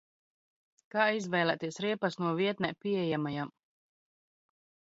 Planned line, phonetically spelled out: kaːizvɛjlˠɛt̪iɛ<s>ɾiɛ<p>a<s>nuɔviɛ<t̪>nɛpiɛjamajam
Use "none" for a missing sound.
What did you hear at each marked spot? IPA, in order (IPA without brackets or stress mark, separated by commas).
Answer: s, p, s, t̪